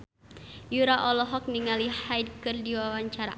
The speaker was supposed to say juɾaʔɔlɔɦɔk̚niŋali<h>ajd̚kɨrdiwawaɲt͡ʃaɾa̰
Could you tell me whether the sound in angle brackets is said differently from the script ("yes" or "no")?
no